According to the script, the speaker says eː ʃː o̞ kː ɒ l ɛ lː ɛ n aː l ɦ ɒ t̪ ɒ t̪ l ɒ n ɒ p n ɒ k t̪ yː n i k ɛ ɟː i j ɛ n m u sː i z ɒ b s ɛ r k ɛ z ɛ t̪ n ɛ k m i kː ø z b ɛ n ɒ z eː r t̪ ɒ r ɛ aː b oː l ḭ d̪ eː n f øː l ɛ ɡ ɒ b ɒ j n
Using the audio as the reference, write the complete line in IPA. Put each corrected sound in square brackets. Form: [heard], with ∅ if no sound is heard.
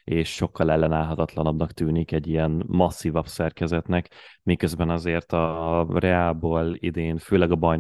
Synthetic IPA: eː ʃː o̞ kː ɒ l ɛ lː ɛ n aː l ɦ ɒ t̪ ɒ t̪ l ɒ n ɒ [b] n ɒ k t̪ yː n i k ɛ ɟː i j ɛ n m [ɒ] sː i [v] ɒ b s ɛ r k ɛ z ɛ t̪ n ɛ k m i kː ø z b ɛ n ɒ z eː r t̪ ɒ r ɛ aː b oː l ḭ d̪ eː n f øː l ɛ ɡ ɒ b ɒ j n